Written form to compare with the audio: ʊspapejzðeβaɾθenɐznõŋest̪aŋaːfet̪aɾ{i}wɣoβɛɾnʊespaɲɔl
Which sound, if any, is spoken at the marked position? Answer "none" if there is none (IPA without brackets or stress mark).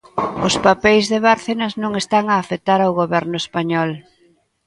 a